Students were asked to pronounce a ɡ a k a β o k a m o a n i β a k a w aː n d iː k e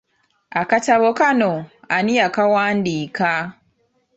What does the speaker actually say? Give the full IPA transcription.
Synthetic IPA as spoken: a k a t a β o k a n o a n i a k a w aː n d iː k a